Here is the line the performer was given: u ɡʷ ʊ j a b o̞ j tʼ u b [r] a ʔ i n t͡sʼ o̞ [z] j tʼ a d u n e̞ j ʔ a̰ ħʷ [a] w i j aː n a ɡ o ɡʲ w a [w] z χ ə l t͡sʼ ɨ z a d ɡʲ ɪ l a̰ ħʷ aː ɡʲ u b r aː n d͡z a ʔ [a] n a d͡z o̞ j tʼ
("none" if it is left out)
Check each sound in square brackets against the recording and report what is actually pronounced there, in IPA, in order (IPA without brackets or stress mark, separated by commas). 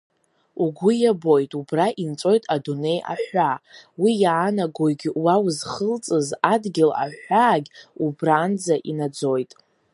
r, none, a, w, i